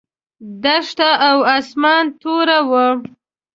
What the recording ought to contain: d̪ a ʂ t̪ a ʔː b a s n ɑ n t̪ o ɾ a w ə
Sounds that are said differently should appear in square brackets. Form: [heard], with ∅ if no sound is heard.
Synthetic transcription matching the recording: d̪ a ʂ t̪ a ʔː [w] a s [m] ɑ n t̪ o ɾ a w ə